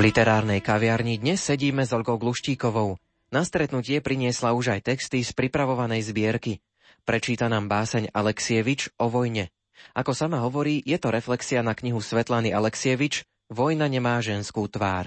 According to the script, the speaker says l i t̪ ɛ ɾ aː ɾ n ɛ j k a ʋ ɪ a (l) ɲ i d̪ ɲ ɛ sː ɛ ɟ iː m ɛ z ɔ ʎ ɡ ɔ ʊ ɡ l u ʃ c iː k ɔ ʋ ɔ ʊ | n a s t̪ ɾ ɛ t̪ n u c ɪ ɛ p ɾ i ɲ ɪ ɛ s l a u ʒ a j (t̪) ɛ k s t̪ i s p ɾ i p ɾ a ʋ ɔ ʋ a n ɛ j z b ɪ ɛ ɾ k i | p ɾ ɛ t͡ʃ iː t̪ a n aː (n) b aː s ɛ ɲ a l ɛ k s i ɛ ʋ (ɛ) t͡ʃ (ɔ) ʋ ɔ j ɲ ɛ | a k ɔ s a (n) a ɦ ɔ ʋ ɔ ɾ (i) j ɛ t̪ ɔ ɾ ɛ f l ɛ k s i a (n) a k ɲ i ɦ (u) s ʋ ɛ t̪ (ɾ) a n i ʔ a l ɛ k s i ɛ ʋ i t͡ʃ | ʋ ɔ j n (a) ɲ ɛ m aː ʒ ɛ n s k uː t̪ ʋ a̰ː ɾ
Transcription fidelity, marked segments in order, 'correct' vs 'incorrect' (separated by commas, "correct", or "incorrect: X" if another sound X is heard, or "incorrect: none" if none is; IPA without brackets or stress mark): incorrect: ɾ, correct, incorrect: m, incorrect: i, correct, incorrect: m, incorrect: iː, correct, correct, incorrect: l, correct